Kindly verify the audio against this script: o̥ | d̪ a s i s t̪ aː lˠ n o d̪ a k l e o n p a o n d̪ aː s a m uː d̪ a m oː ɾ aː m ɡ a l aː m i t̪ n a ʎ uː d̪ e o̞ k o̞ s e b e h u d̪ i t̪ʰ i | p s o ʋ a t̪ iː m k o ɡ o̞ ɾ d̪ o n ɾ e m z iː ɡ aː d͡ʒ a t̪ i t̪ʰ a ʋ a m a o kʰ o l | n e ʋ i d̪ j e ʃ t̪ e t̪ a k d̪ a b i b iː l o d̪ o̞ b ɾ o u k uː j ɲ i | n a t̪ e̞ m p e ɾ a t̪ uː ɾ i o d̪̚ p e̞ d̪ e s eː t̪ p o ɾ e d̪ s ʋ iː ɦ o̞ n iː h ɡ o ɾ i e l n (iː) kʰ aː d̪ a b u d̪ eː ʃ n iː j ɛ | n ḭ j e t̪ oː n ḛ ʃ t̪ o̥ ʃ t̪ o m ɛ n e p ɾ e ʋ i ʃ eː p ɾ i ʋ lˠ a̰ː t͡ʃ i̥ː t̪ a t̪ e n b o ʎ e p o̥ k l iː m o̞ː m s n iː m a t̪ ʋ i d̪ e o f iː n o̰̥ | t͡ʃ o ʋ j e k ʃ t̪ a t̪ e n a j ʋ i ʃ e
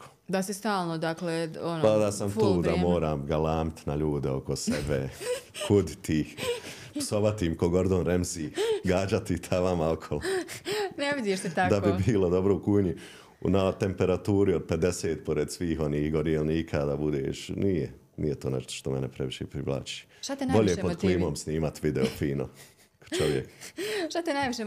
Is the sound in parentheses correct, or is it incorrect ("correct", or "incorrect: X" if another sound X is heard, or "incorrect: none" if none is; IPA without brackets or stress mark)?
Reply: correct